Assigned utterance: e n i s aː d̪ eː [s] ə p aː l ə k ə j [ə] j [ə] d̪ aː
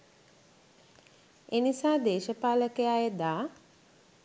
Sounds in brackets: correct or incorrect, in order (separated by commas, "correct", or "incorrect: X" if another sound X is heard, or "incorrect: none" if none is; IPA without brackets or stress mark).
incorrect: ʃ, incorrect: a, correct